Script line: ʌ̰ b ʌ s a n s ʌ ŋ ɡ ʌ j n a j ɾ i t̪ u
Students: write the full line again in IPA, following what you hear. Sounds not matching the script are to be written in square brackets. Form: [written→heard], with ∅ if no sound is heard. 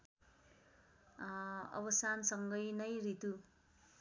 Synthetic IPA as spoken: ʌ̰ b ʌ s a n s ʌ ŋ ɡ ʌ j n [a→ʌ] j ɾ i t̪ u